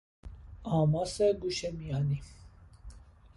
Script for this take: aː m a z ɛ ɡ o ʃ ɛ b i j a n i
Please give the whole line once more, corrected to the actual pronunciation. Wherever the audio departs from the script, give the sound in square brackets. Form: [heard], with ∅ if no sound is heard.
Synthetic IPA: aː m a [s] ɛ ɡ [u] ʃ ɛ [m] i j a n i